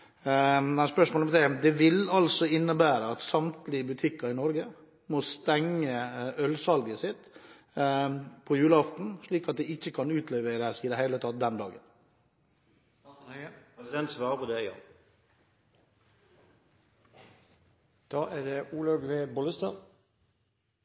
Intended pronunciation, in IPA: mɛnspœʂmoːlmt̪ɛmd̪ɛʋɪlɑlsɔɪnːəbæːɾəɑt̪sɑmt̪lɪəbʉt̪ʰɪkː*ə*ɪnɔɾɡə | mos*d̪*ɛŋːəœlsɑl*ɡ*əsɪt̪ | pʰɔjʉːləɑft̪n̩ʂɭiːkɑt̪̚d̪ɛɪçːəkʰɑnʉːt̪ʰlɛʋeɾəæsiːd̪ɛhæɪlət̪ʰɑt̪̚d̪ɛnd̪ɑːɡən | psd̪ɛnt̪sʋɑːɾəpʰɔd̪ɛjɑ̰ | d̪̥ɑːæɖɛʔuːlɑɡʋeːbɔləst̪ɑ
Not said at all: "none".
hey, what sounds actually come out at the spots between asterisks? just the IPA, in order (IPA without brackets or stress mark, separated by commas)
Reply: ɑ, t̪, ɡ